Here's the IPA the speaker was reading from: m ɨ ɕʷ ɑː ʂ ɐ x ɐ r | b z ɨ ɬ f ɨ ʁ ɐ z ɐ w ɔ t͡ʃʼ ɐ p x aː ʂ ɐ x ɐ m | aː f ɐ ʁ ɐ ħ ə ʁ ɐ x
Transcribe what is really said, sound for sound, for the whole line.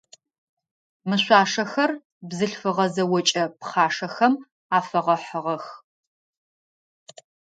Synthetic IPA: m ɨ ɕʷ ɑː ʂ ɐ x ɐ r | b z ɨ ɬ f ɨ ʁ ɐ z ɐ w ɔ t͡ʃʼ ɐ p χ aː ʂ ɐ x ɐ m | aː f ɐ ʁ ɐ ħ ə ʁ ɐ x